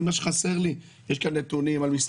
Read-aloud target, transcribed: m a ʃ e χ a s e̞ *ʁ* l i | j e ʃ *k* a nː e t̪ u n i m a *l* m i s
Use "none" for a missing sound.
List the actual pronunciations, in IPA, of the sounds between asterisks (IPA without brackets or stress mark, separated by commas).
ʁ, k, l